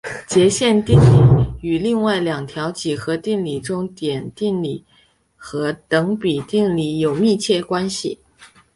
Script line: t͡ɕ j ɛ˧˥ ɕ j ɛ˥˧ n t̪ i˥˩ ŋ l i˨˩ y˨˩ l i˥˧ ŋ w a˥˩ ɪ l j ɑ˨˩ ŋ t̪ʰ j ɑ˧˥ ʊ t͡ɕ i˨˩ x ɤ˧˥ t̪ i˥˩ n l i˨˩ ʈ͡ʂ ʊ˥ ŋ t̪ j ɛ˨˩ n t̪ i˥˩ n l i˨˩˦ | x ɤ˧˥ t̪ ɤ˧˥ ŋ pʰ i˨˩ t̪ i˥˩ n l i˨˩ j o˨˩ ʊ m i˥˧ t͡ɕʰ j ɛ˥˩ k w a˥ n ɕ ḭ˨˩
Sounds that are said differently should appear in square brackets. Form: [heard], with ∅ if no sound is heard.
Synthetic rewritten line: t͡ɕ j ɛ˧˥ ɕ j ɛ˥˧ n t̪ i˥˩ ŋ l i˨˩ y˨˩ l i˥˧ ŋ w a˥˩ ɪ l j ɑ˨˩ ŋ t̪ʰ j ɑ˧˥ ʊ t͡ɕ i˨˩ x ɤ˧˥ t̪ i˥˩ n l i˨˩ ʈ͡ʂ ʊ˥ ŋ t̪ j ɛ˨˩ n t̪ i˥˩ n l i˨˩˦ | x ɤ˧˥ t̪ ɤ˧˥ ŋ [p] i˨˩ t̪ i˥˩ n l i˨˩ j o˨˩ ʊ m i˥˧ t͡ɕʰ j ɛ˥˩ k w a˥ n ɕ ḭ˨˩